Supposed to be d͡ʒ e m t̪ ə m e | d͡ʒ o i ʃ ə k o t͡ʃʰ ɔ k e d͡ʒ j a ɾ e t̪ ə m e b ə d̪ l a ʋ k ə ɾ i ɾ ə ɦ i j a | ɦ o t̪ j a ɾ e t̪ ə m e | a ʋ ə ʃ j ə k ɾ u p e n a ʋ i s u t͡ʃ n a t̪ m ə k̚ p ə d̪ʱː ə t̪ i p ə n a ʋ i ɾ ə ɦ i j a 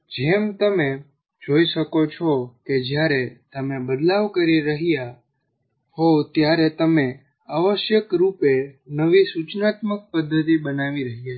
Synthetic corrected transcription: d͡ʒ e m t̪ ə m e | d͡ʒ o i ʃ ə k o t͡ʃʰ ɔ k e d͡ʒ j a ɾ e t̪ ə m e b ə d̪ l a ʋ k ə ɾ i ɾ ə ɦ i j a | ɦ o t̪ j a ɾ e t̪ ə m e | a ʋ ə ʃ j ə k ɾ u p e n ə ʋ i s u t͡ʃ n a t̪ m ə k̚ p ə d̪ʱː ə t̪ i b ə n a ʋ i ɾ ə ɦ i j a

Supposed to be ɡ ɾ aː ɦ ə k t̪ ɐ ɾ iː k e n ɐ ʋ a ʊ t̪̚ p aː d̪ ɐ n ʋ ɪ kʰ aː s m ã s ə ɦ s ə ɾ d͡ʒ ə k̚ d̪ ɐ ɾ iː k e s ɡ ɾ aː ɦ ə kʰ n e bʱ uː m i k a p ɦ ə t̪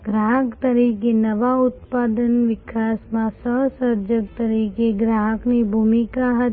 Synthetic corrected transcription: ɡ ɾ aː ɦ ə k t̪ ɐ ɾ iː k e n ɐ ʋ a ʊ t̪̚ p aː d̪ ə n ʋ ɪ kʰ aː s m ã s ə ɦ s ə ɾ d͡ʒ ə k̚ t̪ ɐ ɾ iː k e ɡ ɾ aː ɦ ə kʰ n e bʱ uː m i k a ɦ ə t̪

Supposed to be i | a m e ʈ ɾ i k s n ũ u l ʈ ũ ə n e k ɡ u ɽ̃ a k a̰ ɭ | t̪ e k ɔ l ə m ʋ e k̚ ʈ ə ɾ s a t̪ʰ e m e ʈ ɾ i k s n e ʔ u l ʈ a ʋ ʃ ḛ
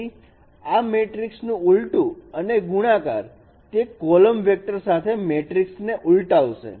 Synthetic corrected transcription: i | a m e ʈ ɾ i k s n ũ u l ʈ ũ ə n e ɡ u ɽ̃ a k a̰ ɾ | t̪ e k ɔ l ə m ʋ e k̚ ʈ ə ɾ s a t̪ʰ e m e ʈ ɾ i k s n e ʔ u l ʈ a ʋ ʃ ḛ

